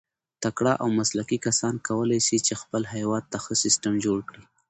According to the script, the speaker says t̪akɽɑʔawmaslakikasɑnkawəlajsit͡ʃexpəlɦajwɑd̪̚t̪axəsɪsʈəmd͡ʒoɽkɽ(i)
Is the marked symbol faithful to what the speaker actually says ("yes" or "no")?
yes